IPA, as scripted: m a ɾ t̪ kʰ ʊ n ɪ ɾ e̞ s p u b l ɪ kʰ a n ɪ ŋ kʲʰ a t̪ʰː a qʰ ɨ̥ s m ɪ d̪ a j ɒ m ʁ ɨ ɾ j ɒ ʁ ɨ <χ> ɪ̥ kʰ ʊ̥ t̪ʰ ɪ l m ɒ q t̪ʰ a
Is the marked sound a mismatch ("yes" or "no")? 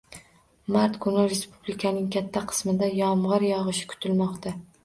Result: yes